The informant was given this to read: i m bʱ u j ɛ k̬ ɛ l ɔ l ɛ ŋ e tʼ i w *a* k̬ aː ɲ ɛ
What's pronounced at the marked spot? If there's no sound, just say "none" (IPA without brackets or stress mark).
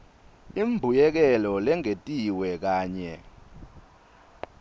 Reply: ɛ